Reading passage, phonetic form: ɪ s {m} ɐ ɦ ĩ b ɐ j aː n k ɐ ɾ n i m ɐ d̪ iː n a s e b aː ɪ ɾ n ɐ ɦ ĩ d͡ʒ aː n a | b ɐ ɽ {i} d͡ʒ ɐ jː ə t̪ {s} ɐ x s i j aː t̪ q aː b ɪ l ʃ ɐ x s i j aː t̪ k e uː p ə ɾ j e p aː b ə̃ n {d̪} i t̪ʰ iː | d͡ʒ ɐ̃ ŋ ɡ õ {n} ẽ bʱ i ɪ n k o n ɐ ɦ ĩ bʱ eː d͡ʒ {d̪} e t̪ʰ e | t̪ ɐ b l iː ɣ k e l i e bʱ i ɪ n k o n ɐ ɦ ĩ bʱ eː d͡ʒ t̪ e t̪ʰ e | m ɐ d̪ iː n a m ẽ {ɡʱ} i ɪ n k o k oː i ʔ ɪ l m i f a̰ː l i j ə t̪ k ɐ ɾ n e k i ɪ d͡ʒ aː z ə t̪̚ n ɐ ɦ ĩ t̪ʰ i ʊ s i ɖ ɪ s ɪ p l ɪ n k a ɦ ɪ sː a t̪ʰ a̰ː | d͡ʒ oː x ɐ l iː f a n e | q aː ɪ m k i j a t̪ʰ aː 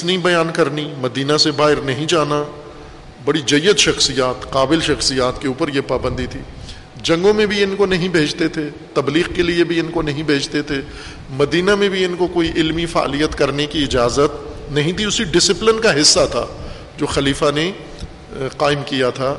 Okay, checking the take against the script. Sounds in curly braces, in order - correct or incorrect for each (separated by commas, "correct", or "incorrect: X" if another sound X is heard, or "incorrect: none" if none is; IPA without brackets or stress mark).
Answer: incorrect: n, correct, incorrect: ʃ, correct, incorrect: m, incorrect: t̪, incorrect: bʱ